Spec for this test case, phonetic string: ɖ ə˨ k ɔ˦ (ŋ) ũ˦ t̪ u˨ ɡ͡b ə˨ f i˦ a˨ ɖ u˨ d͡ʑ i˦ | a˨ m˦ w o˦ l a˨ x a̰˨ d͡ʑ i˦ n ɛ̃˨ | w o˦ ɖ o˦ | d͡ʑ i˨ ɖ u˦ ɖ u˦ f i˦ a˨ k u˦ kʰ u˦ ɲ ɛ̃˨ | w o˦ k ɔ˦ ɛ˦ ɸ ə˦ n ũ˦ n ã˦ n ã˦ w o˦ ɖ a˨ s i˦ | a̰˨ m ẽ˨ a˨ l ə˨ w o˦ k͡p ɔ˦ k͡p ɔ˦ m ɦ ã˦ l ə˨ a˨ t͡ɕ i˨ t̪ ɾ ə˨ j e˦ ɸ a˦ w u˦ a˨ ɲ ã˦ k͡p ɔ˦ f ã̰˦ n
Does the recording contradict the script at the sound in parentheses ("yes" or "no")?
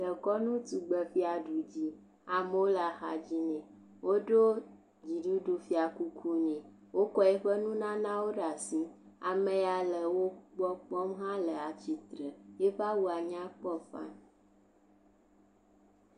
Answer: yes